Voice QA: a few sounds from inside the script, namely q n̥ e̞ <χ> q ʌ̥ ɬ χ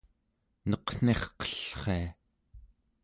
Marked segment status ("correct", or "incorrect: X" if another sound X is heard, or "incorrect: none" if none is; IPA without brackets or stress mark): correct